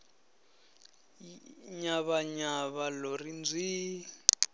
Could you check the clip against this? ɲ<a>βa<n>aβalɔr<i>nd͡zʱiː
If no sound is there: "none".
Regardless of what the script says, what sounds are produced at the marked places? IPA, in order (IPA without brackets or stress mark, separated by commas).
a, ɲ, i